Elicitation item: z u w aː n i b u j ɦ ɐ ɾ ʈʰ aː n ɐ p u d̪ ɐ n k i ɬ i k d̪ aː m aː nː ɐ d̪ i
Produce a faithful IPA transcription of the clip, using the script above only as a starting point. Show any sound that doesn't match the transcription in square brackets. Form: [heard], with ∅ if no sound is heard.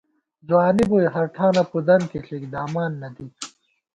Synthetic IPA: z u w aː n i b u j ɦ ɐ ɾ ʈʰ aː n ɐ p u d̪ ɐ n k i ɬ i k d̪ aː m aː nː ɐ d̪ i